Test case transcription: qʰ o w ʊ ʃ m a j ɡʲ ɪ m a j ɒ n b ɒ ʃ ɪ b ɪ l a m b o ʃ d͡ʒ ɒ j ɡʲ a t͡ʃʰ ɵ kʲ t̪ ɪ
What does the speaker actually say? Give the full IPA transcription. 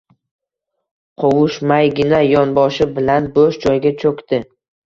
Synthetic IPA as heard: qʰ o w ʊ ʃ m a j ɡʲ ɪ n a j ɒ n b ɒ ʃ ɪ b ɪ l a n b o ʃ d͡ʒ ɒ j ɡʲ a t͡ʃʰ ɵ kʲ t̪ ɪ